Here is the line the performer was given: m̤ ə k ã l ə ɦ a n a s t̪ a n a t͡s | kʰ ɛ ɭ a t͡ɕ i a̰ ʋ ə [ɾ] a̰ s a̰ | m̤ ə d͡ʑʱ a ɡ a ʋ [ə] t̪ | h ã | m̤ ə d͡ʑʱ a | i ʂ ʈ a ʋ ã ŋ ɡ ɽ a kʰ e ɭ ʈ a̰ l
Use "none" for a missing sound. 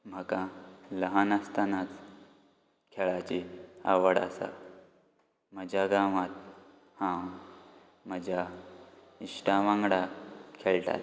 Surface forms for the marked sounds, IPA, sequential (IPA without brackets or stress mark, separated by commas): ɽ, a